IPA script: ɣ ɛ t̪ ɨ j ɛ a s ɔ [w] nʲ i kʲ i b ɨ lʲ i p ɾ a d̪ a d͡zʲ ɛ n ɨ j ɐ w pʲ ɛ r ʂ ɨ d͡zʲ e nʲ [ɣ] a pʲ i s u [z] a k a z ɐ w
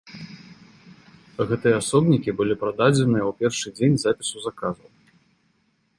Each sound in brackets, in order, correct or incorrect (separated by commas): incorrect, incorrect, correct